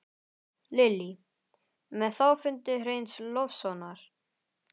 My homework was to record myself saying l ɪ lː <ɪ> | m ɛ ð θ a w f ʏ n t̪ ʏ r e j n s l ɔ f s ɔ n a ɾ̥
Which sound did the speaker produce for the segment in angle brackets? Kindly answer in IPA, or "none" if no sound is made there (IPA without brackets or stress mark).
i